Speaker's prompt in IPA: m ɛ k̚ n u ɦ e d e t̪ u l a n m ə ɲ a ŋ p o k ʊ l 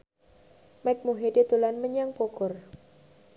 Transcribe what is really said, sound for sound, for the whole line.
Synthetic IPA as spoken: m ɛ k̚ m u ɦ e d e t̪ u l a n m ə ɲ a ŋ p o k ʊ r